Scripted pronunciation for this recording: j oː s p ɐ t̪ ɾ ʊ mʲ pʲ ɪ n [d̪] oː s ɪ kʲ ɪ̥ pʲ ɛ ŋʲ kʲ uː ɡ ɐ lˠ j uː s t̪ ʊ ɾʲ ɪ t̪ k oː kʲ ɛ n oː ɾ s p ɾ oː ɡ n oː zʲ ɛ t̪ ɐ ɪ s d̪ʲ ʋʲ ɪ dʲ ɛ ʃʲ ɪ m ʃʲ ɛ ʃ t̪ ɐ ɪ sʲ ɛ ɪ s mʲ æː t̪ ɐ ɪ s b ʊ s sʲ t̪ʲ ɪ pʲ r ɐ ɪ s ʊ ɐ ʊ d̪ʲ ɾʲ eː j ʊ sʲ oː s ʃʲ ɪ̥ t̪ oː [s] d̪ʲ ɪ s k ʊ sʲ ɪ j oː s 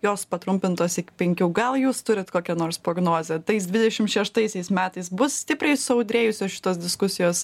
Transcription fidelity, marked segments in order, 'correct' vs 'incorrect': incorrect: t̪, correct

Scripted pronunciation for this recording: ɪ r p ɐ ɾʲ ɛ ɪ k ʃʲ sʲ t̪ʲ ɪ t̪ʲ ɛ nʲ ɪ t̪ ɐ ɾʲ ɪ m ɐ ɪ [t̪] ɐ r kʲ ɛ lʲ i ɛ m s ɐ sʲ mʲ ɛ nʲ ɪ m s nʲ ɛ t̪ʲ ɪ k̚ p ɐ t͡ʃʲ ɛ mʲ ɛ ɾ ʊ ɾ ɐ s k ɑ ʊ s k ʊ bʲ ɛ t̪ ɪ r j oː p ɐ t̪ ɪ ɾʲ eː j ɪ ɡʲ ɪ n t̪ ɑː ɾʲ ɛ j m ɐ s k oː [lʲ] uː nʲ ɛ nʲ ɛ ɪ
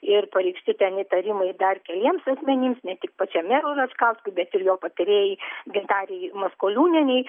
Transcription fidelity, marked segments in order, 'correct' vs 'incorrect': incorrect: d̪, correct

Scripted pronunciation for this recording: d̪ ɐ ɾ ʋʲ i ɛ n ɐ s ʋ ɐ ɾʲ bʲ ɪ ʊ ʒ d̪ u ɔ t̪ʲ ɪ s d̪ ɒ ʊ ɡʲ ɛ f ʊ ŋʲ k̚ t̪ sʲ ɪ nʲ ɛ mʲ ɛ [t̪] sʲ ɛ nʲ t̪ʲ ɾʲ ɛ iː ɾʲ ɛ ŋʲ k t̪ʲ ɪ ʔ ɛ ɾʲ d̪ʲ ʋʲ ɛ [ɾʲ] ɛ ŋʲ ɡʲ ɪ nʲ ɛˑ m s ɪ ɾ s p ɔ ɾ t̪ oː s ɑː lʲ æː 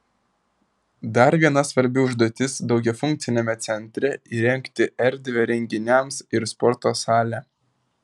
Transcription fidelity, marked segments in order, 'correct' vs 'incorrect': correct, correct

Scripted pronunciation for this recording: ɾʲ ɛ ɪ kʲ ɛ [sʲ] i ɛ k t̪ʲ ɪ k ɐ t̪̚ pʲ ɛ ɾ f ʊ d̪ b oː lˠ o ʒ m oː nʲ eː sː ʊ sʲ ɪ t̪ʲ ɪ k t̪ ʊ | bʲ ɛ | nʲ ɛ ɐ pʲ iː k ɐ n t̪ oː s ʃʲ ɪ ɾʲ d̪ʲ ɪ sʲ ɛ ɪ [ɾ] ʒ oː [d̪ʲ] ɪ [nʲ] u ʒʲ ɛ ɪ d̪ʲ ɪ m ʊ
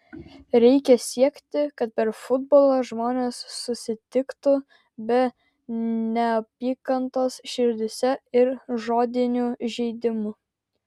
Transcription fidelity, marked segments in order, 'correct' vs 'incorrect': correct, correct, correct, correct

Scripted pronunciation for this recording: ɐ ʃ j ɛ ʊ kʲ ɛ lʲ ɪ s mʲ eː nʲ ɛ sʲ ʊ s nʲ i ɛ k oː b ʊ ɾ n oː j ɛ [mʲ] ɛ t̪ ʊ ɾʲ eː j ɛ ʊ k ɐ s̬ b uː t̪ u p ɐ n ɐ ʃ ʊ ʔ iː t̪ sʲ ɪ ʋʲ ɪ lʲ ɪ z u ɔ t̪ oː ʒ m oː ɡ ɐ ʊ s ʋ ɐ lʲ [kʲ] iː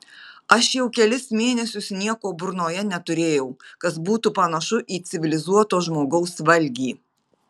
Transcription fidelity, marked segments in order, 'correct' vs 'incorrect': incorrect: nʲ, incorrect: ɡʲ

